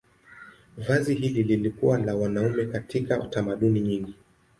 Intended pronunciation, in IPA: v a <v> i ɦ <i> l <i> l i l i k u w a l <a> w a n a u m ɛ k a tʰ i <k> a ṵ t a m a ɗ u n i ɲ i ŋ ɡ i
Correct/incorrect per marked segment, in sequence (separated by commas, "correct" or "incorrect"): incorrect, correct, correct, correct, correct